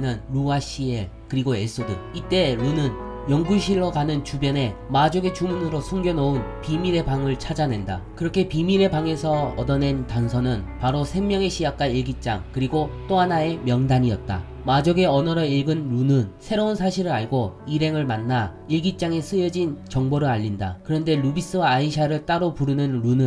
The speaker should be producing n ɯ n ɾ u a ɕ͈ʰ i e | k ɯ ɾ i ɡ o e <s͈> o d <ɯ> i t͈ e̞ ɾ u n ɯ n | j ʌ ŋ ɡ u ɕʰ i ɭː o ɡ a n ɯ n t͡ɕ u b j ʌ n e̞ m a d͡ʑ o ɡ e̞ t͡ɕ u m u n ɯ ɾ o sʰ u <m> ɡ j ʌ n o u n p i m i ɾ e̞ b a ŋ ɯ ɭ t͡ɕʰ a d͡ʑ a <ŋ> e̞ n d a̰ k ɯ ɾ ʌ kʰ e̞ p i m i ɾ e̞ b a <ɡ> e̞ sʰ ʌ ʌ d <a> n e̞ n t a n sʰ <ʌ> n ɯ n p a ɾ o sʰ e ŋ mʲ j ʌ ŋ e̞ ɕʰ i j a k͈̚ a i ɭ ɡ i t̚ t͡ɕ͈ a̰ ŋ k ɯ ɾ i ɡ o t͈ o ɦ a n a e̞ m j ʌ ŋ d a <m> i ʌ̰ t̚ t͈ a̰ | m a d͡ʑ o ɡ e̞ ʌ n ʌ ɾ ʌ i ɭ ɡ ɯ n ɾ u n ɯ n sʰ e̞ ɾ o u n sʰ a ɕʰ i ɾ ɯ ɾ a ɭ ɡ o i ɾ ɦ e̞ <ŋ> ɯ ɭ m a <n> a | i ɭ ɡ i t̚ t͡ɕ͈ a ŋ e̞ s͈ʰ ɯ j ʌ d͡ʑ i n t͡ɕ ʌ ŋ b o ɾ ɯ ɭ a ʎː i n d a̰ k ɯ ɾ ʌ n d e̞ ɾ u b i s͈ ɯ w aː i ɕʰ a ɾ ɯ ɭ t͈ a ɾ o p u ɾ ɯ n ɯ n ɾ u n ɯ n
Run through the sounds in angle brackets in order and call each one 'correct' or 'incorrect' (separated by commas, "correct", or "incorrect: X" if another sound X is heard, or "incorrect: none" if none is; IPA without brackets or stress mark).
correct, correct, incorrect: ŋ, incorrect: n, incorrect: ŋ, incorrect: ʌ, correct, incorrect: ɲ, correct, incorrect: nː